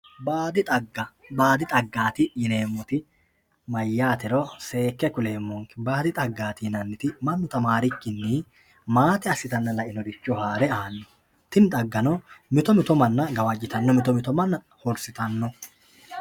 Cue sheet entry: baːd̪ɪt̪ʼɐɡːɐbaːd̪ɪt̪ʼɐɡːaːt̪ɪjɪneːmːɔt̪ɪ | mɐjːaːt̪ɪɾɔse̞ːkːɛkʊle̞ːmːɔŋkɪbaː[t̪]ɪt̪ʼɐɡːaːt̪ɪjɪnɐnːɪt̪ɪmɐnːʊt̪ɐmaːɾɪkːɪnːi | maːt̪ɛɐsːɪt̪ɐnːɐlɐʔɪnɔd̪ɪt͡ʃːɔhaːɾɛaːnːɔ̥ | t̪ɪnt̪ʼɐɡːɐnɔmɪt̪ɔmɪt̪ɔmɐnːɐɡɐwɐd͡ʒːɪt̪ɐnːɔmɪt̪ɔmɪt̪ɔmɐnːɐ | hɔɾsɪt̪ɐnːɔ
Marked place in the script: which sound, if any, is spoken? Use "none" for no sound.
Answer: d̪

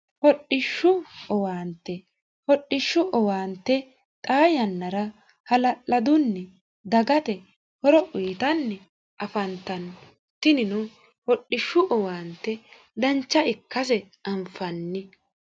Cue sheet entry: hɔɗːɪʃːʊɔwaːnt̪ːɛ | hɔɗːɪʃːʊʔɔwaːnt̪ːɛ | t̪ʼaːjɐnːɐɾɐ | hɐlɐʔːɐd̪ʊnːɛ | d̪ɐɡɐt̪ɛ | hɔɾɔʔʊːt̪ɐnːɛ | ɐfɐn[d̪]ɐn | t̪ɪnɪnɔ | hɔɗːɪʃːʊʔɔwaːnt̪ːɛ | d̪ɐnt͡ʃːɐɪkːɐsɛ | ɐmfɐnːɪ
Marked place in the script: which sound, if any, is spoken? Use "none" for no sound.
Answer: t̪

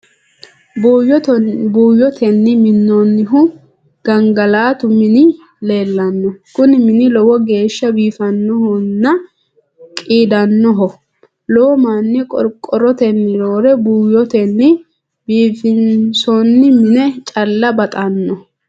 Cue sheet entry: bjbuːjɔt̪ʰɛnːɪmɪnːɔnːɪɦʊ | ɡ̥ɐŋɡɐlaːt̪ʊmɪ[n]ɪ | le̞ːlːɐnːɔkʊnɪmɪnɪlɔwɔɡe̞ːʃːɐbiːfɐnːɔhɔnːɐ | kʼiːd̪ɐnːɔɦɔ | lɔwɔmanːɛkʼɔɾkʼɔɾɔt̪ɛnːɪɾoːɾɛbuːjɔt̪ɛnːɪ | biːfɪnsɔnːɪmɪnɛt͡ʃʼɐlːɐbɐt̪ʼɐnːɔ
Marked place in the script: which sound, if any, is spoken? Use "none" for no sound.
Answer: n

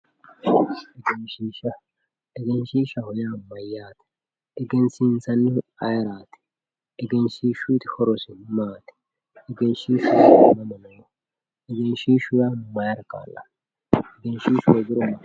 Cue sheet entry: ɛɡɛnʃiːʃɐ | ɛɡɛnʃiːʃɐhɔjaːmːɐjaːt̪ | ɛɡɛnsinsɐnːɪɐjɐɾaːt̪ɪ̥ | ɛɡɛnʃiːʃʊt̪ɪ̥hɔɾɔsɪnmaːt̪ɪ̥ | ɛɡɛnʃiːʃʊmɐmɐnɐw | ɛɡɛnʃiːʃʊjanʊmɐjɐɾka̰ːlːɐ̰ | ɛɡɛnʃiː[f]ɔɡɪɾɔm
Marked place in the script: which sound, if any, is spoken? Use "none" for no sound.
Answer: ʃ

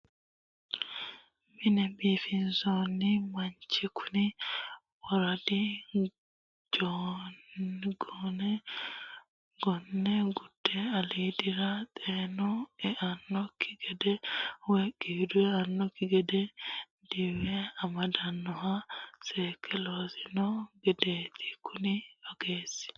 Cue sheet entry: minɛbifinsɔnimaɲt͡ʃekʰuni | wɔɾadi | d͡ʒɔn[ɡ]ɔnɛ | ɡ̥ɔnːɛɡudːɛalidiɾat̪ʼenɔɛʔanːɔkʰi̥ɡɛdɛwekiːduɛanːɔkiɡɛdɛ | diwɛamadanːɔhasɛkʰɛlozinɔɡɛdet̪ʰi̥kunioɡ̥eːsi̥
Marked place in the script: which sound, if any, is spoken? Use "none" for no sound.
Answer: ɡ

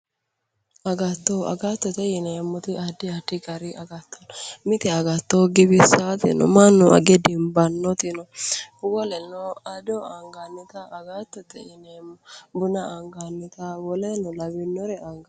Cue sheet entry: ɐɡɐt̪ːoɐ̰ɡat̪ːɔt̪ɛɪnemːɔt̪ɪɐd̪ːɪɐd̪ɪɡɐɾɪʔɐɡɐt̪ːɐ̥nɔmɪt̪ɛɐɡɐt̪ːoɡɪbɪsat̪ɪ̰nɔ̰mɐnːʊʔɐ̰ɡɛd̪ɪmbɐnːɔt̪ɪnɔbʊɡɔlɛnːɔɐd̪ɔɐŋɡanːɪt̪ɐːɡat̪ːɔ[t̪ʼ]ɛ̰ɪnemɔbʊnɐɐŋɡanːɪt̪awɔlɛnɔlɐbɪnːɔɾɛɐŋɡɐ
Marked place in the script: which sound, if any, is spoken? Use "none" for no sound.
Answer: t̪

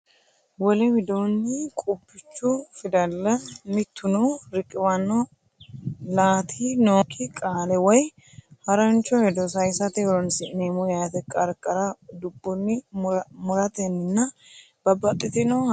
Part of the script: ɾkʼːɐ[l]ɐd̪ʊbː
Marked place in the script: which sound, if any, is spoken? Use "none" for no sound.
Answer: ɾ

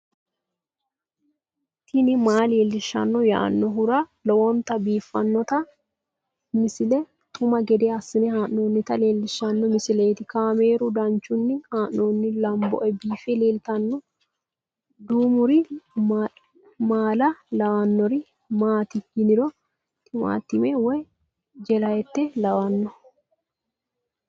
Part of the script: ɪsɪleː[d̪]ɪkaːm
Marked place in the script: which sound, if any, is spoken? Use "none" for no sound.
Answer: t̪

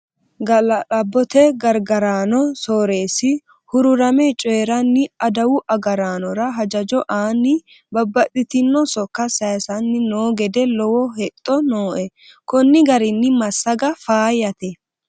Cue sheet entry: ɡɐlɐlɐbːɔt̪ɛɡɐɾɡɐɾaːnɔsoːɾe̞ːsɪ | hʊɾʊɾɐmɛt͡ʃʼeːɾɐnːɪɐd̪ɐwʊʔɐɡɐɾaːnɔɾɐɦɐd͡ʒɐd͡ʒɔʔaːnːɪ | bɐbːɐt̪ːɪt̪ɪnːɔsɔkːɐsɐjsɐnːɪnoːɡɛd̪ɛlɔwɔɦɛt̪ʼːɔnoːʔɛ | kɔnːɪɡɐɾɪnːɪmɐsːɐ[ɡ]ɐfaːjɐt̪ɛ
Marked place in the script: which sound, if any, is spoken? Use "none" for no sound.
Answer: ɡ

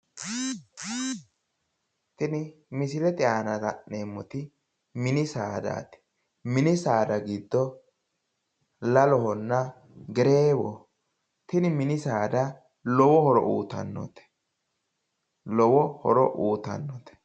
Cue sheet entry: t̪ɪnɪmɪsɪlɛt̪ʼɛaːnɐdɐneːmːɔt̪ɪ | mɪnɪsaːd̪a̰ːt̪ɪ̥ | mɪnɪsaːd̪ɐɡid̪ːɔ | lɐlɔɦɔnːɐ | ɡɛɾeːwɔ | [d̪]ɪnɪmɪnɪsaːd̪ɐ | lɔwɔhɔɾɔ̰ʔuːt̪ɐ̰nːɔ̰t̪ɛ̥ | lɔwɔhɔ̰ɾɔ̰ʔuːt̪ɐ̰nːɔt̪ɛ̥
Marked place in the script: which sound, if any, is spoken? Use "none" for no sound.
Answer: t̪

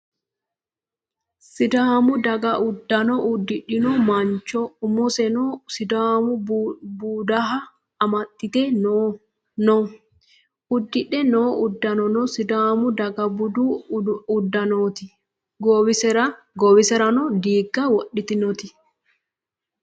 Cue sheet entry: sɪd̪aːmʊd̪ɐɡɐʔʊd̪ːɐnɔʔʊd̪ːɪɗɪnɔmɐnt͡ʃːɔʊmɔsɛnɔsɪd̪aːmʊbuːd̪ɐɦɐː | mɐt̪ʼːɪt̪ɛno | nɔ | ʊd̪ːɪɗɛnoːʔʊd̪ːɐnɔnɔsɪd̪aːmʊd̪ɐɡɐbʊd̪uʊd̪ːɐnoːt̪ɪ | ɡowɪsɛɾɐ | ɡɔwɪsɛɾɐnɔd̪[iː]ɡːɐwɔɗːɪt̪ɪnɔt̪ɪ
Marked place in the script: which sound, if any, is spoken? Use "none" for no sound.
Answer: iː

